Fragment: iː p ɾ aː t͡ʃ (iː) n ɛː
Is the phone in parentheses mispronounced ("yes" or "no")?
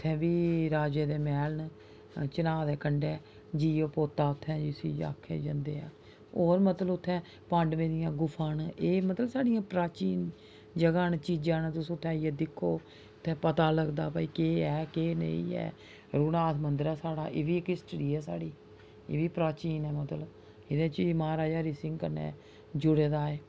no